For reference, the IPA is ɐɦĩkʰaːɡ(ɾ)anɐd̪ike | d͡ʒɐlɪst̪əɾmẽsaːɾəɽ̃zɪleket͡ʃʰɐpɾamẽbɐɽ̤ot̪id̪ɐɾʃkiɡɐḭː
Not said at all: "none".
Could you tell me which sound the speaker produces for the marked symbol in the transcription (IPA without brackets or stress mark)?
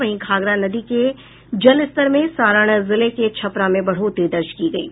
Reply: ɾ